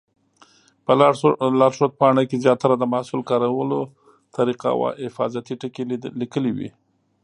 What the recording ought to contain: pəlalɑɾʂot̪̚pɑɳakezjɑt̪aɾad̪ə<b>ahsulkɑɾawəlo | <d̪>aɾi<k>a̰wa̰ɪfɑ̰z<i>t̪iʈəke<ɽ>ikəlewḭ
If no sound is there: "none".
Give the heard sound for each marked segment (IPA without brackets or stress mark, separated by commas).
m, t̪, q, a, l